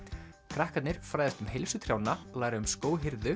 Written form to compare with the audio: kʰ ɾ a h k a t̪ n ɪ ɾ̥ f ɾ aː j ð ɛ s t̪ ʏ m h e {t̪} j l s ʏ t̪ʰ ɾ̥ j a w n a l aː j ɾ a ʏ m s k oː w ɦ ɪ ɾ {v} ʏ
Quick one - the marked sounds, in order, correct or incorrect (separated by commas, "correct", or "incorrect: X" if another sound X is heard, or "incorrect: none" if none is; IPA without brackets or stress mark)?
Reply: incorrect: none, incorrect: ð